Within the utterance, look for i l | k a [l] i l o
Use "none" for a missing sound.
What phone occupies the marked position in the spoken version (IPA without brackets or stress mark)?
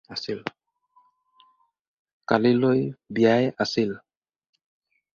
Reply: l